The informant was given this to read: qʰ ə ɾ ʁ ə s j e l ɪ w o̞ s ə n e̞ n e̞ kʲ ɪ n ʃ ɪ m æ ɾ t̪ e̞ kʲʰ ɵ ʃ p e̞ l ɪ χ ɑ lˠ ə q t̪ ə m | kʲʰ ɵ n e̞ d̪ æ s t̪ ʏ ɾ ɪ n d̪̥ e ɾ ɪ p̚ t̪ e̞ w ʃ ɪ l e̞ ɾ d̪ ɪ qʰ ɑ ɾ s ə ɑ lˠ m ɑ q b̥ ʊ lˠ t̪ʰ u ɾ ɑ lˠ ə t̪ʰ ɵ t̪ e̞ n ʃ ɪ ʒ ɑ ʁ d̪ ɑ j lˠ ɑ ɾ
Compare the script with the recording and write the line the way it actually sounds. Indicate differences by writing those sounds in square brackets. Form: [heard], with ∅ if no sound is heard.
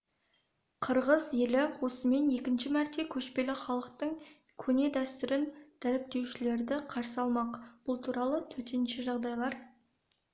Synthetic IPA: qʰ ə ɾ ʁ ə [z] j e l ɪ w o̞ s ə [m] e̞ n e̞ kʲ ɪ n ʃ ɪ m æ ɾ t̪ e̞ kʲʰ ɵ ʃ p e̞ l ɪ χ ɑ lˠ ə q t̪ ə [ɴ] | kʲʰ ɵ n e̞ d̪ æ s t̪ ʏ ɾ ɪ n d̪̥ [æ] ɾ ɪ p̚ t̪ e̞ w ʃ ɪ l e̞ ɾ d̪ ɪ qʰ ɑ ɾ s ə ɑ lˠ m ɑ q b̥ ʊ lˠ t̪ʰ u ɾ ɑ lˠ ə t̪ʰ ɵ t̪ e̞ n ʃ ɪ ʒ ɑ ʁ d̪ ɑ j lˠ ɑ ɾ